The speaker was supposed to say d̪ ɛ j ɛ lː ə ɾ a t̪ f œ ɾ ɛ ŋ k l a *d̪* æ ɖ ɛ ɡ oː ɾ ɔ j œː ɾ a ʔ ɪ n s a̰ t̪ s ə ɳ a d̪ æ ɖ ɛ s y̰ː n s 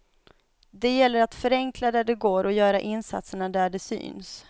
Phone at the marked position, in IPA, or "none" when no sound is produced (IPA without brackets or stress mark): d̪